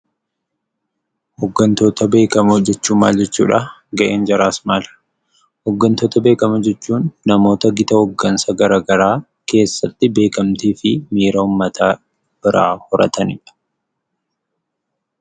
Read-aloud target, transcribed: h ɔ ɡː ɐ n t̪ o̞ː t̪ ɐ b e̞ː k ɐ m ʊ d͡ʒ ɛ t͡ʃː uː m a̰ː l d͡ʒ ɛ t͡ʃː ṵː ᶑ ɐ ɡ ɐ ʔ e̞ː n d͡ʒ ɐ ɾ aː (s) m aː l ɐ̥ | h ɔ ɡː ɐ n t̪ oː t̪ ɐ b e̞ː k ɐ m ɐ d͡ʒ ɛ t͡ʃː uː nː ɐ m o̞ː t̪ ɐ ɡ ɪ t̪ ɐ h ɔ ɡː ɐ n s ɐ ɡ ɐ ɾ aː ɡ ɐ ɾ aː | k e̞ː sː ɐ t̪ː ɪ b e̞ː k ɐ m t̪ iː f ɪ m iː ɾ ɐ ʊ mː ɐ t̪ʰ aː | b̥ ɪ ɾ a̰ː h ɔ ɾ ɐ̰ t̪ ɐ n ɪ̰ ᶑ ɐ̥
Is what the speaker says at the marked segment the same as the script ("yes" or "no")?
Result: yes